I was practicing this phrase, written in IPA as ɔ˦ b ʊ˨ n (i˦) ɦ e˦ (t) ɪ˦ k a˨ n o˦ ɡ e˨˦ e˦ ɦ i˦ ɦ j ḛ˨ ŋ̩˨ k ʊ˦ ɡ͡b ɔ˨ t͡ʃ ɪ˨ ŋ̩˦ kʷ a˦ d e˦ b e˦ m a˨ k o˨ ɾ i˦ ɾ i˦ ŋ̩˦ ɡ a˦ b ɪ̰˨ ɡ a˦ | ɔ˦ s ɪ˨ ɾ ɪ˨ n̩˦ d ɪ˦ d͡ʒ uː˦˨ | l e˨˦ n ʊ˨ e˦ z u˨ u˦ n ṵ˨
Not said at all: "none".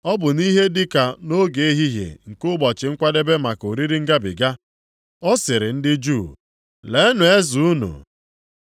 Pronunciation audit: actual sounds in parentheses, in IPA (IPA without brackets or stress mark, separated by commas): i˦, d